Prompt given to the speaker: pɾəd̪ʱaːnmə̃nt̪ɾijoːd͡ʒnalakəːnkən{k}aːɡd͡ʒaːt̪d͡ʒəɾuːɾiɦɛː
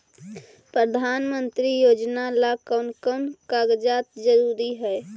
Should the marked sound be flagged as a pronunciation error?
no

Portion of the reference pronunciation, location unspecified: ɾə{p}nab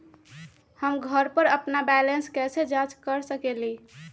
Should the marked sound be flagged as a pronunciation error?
no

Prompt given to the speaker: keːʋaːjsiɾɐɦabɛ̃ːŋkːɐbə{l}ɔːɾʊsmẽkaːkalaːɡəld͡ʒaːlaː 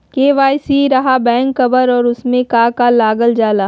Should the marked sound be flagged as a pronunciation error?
yes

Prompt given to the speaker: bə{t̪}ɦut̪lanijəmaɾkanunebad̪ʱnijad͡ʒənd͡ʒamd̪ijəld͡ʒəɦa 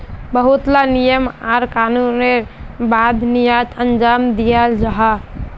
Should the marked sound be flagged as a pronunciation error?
yes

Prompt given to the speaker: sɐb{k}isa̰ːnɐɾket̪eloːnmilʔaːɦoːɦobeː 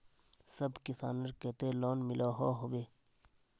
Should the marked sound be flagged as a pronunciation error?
no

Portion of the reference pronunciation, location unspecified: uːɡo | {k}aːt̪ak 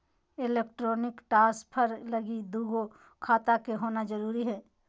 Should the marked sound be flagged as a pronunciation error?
yes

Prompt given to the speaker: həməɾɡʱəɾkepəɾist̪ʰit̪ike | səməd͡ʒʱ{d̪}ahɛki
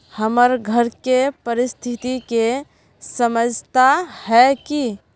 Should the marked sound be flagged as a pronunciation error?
yes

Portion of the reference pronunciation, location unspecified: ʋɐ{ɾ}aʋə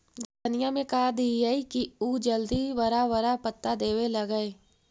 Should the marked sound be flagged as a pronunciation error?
no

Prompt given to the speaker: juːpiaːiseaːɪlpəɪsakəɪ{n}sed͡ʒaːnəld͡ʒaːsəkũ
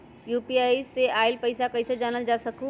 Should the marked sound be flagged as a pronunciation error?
yes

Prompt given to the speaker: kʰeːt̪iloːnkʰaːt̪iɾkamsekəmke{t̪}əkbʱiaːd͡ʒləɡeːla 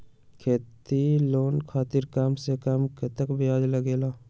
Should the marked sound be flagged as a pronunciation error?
no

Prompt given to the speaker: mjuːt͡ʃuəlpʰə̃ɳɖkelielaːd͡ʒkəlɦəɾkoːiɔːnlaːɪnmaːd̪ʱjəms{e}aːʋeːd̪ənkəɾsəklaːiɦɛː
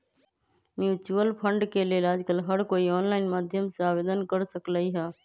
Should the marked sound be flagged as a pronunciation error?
no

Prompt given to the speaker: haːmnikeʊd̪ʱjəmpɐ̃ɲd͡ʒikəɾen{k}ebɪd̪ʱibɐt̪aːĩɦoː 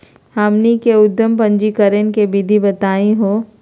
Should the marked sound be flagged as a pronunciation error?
no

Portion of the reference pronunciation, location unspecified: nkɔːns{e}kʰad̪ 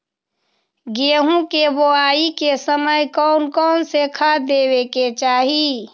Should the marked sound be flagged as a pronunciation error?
no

